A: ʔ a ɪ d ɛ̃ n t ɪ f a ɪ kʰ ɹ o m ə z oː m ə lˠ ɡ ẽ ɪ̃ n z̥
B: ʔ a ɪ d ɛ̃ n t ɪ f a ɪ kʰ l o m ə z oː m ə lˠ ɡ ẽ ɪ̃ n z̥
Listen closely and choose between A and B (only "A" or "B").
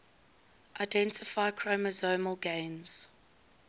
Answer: A